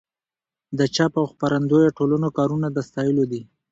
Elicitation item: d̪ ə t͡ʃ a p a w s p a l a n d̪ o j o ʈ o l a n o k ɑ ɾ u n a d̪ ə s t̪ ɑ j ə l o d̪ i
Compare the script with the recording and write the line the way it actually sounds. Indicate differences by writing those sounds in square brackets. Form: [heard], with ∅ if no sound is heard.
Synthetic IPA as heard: d̪ ə t͡ʃ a p a w [x] p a [ɾ] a n d̪ o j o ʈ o l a n o k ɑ ɾ u n a d̪ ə s t̪ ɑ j ə l o d̪ i